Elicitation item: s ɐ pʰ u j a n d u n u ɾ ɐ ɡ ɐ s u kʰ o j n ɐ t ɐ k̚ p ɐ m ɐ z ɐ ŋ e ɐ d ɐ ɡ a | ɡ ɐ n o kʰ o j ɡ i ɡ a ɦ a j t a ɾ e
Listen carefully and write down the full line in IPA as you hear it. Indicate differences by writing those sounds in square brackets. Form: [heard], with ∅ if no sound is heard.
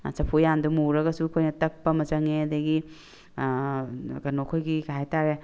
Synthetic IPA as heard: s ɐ pʰ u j a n d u [m] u ɾ ɐ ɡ ɐ s u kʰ o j n ɐ t ɐ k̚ p ɐ m ɐ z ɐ ŋ e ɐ d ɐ ɡ [i] | ɡ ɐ n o kʰ o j ɡ i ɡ a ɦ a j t a ɾ e